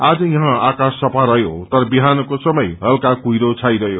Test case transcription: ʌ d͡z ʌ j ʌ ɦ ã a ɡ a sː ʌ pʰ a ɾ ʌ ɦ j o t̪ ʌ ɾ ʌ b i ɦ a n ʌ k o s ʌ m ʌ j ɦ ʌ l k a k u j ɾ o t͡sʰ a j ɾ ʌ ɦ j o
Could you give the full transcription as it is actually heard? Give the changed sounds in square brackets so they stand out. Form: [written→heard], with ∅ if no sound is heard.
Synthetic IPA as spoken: [ʌ→a] d͡z ʌ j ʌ ɦ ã a [ɡ→k] a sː ʌ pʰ a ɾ ʌ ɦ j o t̪ ʌ ɾ ʌ b i ɦ a n ʌ k o s ʌ m ʌ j ɦ ʌ l k a k u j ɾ o t͡sʰ a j ɾ ʌ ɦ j o